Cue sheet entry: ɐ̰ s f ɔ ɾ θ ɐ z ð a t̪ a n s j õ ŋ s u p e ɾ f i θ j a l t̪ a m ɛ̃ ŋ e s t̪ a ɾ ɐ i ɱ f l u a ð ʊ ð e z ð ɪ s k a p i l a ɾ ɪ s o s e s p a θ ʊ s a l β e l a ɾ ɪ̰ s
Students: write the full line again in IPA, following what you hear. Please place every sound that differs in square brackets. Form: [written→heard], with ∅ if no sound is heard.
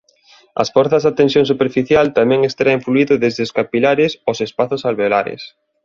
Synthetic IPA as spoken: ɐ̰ s f ɔ ɾ θ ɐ z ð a t̪ [a→e] n s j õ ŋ s u p e ɾ f i θ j a l t̪ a m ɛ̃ ŋ e s t̪ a ɾ [ɐ→a] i ɱ f l u [a→i] ð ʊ ð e z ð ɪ s k a p i l a ɾ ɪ s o s e s p a θ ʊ s a l β e l a ɾ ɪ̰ s